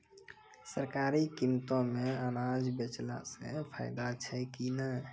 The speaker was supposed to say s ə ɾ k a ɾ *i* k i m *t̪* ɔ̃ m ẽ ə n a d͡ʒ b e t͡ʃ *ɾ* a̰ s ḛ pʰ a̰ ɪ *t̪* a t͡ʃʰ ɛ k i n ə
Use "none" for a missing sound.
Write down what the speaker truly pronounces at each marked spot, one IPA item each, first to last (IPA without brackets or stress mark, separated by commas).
i, t̪, l, d̪